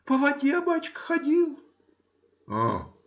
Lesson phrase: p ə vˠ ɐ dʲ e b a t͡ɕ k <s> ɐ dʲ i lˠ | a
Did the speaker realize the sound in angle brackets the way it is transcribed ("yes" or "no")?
no